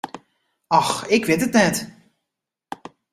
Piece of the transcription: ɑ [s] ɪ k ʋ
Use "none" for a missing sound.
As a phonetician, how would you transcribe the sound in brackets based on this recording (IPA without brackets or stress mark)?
x